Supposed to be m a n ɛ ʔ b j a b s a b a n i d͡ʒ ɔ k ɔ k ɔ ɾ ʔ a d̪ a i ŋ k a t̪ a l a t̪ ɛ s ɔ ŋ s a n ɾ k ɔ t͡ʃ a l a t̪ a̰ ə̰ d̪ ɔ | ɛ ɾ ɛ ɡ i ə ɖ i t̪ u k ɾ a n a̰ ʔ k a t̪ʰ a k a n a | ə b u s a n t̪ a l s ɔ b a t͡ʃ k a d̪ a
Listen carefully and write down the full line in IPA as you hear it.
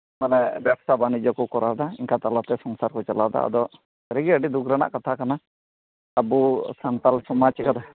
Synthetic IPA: m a n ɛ b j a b s a b a n i d͡ʒ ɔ k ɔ k ɔ ɾ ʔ a d̪ a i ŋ k a t̪ a l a t̪ ɛ s ɔ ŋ s a ɾ k ɔ t͡ʃ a l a d̪ a̰ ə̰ d̪ ɔ | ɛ ɾ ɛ ɡ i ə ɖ i d̪ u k ɾ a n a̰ ʔ k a t̪ʰ a k a n a | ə b u s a n t̪ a l s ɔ m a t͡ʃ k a d̪ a